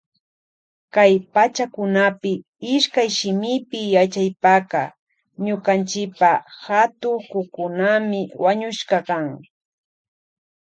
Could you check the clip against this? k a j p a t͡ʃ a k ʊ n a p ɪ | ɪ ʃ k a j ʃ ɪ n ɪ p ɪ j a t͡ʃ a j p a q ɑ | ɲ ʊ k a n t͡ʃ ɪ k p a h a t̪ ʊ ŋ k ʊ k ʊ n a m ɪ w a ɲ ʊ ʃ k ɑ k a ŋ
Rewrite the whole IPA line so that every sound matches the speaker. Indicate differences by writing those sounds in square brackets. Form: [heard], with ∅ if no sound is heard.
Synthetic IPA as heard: k a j p a t͡ʃ a k ʊ n a p ɪ | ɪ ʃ k a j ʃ ɪ [m] ɪ p ɪ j a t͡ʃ a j p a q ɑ | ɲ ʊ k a n t͡ʃ ɪ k p a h a t̪ ʊ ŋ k ʊ k ʊ n a m ɪ w a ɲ ʊ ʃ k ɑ k a ŋ